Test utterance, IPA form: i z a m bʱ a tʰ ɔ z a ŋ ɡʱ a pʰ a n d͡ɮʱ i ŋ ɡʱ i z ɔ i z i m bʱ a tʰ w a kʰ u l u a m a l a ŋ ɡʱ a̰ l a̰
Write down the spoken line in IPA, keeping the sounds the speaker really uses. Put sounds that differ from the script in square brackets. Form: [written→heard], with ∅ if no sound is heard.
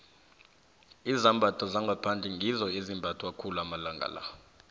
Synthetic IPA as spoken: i z a m bʱ a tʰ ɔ z a ŋ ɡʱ a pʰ a n d͡ɮʱ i ŋ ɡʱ i z ɔ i z i m bʱ a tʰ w a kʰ u l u a m a l a ŋ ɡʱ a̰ l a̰